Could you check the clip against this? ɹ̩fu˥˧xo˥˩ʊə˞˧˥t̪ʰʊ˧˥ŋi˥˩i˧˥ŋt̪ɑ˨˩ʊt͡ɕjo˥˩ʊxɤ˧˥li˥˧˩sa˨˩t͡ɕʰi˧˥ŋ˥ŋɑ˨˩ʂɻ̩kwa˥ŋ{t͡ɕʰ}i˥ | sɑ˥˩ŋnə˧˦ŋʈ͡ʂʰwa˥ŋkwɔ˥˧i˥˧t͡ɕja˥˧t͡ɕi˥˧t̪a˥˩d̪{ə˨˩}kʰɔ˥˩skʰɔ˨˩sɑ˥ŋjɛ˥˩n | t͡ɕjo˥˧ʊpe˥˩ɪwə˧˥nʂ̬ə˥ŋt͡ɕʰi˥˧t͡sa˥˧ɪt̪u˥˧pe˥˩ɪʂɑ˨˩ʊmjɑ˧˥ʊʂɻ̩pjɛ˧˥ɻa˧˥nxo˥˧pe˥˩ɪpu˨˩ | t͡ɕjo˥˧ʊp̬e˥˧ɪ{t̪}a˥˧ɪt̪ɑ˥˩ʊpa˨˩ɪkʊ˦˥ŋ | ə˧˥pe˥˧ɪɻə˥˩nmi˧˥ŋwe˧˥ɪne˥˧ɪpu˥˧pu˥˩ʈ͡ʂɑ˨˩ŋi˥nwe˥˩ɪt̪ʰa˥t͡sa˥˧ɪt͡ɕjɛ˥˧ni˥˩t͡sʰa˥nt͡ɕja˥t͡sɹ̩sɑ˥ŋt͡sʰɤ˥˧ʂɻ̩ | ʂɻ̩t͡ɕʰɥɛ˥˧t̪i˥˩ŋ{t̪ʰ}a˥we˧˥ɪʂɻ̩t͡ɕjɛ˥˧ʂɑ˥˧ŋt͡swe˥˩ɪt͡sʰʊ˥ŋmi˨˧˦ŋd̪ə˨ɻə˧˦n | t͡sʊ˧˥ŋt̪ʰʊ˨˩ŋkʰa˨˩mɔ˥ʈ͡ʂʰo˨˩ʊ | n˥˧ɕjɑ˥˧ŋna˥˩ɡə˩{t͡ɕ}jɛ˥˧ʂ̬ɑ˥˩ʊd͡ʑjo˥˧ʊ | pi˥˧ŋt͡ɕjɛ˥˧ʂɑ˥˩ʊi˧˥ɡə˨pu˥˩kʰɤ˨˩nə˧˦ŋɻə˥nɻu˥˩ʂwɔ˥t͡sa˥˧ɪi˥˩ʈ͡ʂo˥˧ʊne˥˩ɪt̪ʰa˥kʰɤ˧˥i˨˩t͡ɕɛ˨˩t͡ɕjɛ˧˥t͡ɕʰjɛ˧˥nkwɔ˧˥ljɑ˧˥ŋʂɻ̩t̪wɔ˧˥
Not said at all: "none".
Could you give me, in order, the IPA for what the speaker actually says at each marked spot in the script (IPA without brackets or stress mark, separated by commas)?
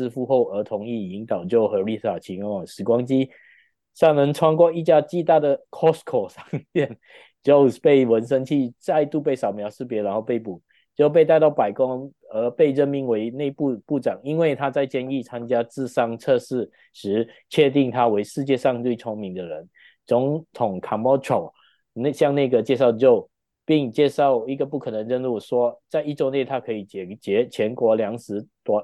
t͡ɕ, ə˨˩, t̪, t̪ʰ, t͡ɕ